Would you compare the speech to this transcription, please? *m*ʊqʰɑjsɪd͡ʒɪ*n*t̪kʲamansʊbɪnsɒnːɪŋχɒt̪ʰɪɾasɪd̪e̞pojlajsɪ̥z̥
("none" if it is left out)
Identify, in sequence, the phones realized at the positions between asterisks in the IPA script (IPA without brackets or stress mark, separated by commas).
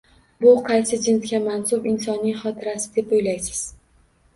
b, n